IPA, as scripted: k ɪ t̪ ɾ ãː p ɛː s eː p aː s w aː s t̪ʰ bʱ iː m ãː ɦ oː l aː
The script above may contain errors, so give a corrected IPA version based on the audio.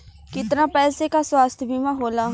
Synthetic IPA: k ɪ t̪ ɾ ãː p ɛː s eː k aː s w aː s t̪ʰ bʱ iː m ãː ɦ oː l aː